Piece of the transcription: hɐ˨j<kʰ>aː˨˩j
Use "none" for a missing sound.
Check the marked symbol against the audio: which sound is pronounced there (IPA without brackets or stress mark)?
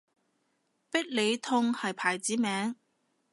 pʰ